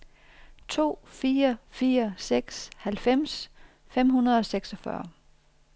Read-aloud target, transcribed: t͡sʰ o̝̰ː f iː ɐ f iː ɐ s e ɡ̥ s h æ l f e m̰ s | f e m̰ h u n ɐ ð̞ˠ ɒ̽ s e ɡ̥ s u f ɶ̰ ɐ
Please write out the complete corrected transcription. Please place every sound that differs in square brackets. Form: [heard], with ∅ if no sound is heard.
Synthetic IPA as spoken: t͡sʰ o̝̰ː f iː ɐ f iː ɐ s e ɡ̥ s h æ l f e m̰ s | f e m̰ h u n ɐ ð̞ˠ ɒ̽ s e ɡ̥ s [ɒ] f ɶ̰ ɐ

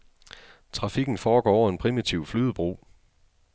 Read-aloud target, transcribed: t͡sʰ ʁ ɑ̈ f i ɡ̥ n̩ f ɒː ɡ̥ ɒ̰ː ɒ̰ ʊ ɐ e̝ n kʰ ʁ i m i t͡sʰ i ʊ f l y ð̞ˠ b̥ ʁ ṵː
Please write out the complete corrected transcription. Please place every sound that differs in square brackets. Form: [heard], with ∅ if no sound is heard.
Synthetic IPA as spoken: t͡sʰ ʁ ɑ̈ f i ɡ̥ n̩ f ɒː ɡ̥ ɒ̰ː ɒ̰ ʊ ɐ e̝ n [pʰ] ʁ i m i t͡sʰ i ʊ f l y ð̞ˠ b̥ ʁ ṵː

